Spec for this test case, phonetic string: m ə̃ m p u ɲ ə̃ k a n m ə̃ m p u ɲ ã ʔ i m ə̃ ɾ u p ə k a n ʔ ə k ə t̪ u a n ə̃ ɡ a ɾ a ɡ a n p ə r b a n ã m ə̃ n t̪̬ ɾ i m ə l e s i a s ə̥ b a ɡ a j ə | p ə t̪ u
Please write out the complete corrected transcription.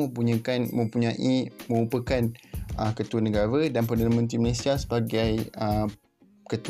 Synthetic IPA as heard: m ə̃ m p u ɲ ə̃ k a n m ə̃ m p u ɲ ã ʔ i m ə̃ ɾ u p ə k a n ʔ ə k ə t̪ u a n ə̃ ɡ a ɾ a d a n p ə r d a n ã m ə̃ n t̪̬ ɾ i m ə l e s i a s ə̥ b a ɡ a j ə | k ə t̪ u